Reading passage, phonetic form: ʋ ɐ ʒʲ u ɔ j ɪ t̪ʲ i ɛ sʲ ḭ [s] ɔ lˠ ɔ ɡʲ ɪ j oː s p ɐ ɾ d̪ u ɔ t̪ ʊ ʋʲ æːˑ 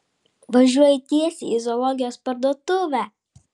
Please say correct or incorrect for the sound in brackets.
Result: incorrect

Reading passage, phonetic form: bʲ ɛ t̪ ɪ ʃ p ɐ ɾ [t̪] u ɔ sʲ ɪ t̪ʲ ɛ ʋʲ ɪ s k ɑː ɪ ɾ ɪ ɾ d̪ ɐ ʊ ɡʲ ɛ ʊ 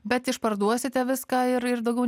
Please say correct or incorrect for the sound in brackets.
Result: incorrect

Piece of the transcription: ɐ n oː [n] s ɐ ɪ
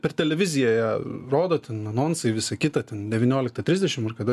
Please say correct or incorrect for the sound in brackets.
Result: correct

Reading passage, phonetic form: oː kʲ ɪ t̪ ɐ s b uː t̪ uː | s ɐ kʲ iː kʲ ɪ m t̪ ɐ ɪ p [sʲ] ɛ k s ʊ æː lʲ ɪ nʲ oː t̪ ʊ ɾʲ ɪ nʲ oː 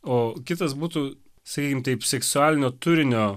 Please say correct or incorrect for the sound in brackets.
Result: correct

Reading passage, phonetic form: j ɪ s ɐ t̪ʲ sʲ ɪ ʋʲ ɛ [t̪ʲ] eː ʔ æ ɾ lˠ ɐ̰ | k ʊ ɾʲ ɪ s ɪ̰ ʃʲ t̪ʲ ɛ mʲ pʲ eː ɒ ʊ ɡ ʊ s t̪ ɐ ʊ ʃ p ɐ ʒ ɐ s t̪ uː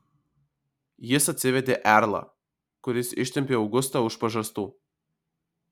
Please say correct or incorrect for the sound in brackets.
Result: incorrect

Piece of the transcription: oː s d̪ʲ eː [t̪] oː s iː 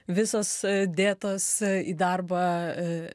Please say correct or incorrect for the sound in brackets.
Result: correct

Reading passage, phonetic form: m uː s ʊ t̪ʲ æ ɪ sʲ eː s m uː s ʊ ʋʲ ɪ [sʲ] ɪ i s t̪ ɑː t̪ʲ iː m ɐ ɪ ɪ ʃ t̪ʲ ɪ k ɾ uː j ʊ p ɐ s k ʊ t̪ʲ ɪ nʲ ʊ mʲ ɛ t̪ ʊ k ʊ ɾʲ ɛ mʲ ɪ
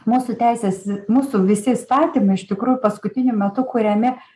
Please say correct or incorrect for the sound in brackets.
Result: correct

